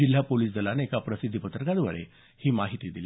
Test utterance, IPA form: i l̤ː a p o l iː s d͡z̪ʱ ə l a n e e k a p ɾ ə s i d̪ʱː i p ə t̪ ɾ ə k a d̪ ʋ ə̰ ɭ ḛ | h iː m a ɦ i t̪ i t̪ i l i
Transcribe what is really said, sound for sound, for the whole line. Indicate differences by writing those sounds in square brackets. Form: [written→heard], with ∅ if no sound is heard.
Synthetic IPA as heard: i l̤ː a p o l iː s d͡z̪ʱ ə l a n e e k a p ɾ ə s i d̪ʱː i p ə t̪ ɾ ə k a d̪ ʋ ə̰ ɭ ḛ | h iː m a ɦ i t̪ i [t̪→d̪] i l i

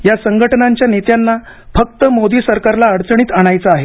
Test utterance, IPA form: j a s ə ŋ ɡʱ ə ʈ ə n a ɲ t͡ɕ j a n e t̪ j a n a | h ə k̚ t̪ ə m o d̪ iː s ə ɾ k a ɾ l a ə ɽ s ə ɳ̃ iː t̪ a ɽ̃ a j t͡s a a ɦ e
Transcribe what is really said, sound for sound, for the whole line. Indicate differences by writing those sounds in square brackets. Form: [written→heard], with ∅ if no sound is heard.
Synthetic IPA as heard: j a s ə ŋ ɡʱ ə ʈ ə n a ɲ t͡ɕ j a n e t̪ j a [n→nː] a | [h→f] ə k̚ t̪ ə m o d̪ iː s ə ɾ k a ɾ l a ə ɽ [s→t͡s] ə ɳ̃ iː t̪ a ɽ̃ a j t͡s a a ɦ e

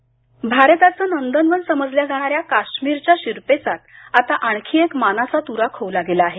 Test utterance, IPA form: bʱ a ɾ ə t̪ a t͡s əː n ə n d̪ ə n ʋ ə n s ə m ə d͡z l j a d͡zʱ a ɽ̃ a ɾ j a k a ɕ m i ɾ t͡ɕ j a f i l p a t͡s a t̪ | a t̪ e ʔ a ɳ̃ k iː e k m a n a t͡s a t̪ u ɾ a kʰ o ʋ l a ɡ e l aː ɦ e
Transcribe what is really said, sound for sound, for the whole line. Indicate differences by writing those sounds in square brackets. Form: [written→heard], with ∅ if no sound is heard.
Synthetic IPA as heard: bʱ a ɾ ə t̪ a t͡s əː n ə n d̪ ə n ʋ ə n s ə m ə d͡z l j a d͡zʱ a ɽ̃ a ɾ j a k a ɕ m i ɾ t͡ɕ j a [f→ɕ] i [l→ɾ] p [a→e] t͡s a t̪ | a t̪ [e→a] ʔ a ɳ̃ [k→kʰ] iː e k m a n a t͡s a t̪ u ɾ a kʰ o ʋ l a ɡ e l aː ɦ e

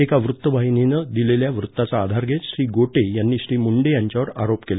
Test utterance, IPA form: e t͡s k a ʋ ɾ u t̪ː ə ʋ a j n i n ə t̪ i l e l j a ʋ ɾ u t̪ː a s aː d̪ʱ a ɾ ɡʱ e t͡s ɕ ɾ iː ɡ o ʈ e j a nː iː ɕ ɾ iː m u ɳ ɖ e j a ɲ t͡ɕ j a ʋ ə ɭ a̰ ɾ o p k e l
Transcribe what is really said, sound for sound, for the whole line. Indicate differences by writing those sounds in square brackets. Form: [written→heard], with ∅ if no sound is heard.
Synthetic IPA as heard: e [t͡s→∅] k a ʋ ɾ u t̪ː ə ʋ a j n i n ə [t̪→d̪] i l e l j a ʋ ɾ u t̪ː a [s→t͡s] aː d̪ʱ a ɾ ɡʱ e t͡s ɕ ɾ iː ɡ o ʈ e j a nː iː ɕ ɾ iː m u ɳ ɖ e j a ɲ t͡ɕ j a ʋ ə [ɭ→ɾ] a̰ ɾ o p k e l

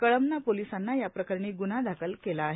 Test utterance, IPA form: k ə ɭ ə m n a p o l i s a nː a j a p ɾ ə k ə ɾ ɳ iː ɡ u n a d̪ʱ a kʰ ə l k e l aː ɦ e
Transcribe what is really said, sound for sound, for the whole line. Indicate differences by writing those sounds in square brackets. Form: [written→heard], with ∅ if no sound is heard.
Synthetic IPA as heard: k ə ɭ ə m n a p o l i s a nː a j a p ɾ ə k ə ɾ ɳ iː ɡ u n a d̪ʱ a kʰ ə l k e l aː ɦ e

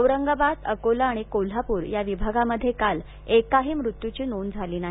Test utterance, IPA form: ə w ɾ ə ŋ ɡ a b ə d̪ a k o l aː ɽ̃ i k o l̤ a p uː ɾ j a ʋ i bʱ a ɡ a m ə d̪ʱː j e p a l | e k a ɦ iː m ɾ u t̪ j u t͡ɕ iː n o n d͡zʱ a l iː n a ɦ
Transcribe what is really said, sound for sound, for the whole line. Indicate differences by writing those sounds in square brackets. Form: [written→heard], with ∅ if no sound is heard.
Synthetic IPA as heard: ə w ɾ ə ŋ ɡ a b [ə→a] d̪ [a→ə] k o l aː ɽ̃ i k o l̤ a p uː ɾ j a ʋ i bʱ a ɡ a m ə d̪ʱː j e [p→k] a l | e k a ɦ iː m ɾ u t̪ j u t͡ɕ iː n o n d͡zʱ a l iː n a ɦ

